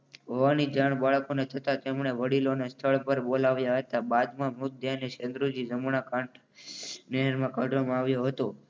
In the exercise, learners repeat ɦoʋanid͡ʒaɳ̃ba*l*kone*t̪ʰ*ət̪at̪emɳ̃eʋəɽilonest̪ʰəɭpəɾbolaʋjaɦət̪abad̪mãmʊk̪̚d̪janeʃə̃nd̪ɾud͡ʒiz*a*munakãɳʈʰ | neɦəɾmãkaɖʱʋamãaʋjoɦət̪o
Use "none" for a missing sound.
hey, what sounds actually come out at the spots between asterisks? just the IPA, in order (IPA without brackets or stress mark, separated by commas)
ɭ, t̪ʰ, ə